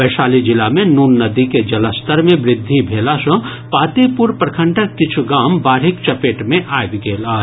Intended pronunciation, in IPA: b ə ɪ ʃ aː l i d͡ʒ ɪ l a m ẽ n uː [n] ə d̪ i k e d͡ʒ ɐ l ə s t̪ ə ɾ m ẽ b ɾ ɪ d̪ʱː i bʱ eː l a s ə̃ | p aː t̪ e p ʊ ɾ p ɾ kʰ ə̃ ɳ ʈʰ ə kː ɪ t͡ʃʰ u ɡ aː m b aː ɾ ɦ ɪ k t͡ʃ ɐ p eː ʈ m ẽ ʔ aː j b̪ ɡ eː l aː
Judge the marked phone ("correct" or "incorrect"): incorrect